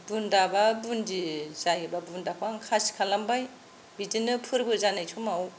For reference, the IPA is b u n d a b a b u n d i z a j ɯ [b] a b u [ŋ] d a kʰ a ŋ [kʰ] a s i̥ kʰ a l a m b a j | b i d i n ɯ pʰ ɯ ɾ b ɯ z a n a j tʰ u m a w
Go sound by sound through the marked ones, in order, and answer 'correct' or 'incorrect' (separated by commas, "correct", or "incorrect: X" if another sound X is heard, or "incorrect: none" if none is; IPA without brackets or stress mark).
correct, incorrect: n, correct